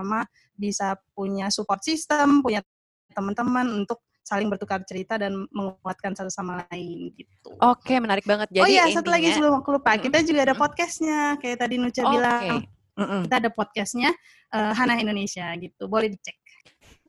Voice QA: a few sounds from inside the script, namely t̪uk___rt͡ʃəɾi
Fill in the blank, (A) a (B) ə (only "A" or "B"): A